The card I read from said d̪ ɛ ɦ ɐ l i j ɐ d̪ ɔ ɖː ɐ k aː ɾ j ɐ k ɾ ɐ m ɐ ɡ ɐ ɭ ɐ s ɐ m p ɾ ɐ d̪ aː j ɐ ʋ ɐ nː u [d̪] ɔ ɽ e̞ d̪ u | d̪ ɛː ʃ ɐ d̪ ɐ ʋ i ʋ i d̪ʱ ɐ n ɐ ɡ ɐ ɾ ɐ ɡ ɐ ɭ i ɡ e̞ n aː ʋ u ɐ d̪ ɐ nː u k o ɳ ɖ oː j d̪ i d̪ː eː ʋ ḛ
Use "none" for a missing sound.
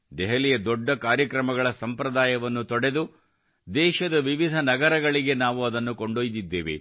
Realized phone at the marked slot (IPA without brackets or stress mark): t̪